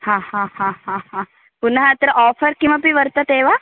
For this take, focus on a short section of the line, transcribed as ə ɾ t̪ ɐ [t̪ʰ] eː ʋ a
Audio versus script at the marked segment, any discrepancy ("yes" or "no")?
yes